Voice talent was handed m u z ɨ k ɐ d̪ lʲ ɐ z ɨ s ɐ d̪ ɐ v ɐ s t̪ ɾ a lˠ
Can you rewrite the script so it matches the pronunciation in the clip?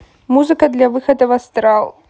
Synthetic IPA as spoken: m u z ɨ k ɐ d̪ lʲ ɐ v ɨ x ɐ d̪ ɐ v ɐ s t̪ ɾ a lˠ